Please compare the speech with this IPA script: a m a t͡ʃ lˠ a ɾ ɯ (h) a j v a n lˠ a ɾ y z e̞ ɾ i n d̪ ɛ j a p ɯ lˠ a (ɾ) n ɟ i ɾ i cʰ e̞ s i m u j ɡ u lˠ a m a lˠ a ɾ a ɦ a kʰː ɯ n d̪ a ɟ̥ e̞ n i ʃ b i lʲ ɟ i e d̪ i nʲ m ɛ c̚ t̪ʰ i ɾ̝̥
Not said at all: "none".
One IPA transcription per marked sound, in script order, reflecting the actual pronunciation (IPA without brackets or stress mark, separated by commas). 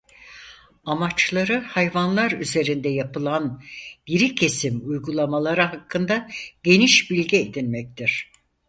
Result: h, none